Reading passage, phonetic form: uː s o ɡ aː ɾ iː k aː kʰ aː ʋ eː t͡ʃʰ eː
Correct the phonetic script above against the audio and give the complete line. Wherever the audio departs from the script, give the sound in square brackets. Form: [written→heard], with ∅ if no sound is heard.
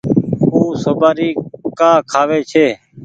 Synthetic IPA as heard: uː s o [ɡ→b] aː ɾ iː k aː kʰ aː ʋ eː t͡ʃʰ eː